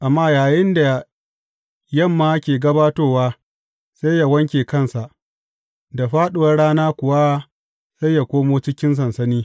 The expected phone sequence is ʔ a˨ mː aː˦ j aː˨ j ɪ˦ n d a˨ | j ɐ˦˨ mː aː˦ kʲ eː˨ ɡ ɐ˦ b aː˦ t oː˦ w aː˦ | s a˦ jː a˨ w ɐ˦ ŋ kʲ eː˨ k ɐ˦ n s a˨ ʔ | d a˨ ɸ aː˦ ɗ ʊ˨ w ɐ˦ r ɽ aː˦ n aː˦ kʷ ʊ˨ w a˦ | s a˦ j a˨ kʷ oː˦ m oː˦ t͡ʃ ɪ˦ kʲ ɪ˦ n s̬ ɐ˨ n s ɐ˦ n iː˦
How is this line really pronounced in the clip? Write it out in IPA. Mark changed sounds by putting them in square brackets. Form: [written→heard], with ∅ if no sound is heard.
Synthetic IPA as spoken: ʔ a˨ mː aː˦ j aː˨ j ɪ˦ n d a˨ | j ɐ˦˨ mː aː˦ kʲ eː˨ ɡ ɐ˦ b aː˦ t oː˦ w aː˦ | s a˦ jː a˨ w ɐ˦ ŋ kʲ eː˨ k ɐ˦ n s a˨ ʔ | d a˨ ɸ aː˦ ɗ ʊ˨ w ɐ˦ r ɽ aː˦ n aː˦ kʷ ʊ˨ w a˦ | s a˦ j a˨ kʷ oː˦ m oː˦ t͡ʃ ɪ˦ kʲ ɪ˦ n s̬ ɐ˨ n s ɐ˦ n iː˦